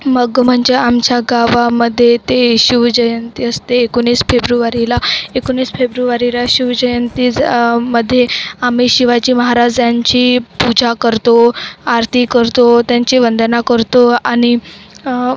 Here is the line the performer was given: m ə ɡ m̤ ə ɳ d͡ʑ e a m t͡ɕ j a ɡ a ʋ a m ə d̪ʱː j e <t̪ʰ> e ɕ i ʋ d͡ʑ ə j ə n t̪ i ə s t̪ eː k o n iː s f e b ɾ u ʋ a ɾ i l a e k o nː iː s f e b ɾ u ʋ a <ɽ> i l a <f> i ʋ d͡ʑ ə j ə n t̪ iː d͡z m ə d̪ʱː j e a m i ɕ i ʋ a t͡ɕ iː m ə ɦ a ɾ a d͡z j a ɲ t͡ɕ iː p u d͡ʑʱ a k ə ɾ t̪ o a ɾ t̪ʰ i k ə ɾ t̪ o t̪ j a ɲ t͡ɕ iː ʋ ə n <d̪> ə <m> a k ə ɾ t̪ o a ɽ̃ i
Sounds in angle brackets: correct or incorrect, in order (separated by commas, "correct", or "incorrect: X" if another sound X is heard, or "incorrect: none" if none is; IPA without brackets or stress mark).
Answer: incorrect: t̪, incorrect: ɾ, incorrect: ɕ, correct, incorrect: n